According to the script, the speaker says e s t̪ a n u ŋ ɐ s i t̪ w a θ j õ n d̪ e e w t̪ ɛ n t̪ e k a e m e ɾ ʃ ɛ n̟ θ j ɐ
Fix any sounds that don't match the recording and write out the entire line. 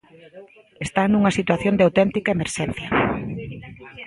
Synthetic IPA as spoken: e s t̪ a n u ŋ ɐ s i t̪ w a θ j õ n d̪ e a w t̪ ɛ n t̪ i k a e m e ɾ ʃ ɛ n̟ θ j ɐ